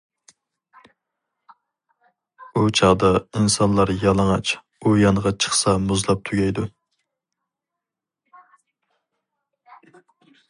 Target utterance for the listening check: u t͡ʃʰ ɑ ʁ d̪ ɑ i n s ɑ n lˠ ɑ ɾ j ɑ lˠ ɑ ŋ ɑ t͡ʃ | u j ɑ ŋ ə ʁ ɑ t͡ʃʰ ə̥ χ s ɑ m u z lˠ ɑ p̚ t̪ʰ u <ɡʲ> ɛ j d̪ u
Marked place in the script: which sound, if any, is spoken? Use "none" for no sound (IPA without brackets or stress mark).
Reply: ɡʲ